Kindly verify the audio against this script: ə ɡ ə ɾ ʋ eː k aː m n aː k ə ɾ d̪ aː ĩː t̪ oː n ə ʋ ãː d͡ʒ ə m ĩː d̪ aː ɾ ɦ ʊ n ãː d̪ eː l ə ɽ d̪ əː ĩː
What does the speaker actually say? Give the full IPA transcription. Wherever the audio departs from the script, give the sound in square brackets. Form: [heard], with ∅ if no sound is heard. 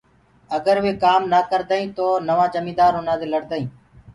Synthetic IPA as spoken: ə ɡ ə ɾ ʋ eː k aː m n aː k ə ɾ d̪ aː ĩː t̪ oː n ə ʋ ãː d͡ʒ ə m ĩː d̪ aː ɾ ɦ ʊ n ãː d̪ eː l ə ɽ d̪ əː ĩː